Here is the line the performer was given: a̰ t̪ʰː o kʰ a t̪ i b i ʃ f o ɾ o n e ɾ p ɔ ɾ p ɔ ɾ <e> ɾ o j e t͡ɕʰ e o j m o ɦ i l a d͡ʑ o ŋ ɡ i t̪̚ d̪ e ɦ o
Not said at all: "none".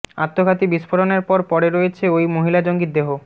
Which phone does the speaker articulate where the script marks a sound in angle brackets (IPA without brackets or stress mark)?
e